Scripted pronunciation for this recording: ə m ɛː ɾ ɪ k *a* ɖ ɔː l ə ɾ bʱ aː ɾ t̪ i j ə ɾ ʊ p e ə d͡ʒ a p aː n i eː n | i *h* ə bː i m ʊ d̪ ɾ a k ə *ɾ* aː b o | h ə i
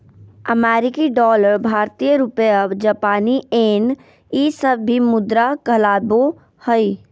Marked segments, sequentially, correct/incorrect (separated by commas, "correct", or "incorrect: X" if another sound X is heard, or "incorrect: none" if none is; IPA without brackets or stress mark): incorrect: i, incorrect: s, incorrect: l